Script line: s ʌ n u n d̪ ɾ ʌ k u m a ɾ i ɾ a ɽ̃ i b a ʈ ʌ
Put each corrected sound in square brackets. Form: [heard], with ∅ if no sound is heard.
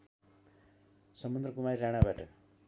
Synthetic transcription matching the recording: s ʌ [m] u n d̪ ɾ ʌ k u m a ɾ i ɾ a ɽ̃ [a] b a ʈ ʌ